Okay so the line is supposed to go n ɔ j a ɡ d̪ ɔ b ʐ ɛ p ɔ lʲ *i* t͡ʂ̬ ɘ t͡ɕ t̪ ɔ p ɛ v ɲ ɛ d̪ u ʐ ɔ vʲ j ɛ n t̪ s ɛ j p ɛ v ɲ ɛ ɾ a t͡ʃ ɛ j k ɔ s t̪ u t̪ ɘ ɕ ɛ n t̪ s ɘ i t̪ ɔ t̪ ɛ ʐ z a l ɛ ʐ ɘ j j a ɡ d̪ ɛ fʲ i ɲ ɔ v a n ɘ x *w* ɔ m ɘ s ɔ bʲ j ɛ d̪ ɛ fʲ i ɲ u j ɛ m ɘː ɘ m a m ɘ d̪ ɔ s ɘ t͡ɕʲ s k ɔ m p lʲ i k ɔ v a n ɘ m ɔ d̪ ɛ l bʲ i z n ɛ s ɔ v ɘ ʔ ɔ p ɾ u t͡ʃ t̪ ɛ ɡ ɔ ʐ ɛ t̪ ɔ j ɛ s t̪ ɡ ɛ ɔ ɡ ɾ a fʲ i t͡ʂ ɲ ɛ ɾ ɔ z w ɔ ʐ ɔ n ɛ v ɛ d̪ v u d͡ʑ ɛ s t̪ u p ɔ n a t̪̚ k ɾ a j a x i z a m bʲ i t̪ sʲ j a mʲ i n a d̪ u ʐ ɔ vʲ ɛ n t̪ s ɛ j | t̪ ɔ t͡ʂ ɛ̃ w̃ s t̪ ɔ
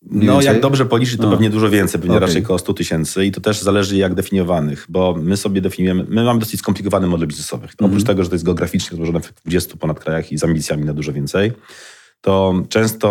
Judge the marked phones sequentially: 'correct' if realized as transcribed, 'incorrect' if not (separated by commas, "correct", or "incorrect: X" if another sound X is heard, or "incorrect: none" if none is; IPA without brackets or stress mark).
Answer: correct, incorrect: b